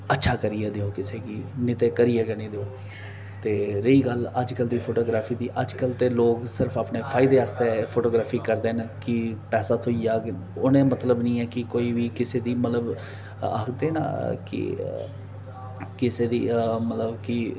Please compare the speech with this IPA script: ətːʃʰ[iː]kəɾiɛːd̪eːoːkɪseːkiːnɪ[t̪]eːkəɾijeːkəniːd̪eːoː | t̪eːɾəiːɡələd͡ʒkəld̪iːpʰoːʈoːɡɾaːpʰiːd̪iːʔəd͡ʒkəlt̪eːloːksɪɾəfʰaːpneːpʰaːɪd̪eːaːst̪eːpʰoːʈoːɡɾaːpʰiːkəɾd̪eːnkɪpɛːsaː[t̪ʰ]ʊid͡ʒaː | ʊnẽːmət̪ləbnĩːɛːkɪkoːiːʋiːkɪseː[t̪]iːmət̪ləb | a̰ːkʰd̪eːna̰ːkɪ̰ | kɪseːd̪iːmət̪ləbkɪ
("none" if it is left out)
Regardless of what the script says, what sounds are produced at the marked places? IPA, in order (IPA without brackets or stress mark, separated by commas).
aː, t̪, t̪ʰ, d̪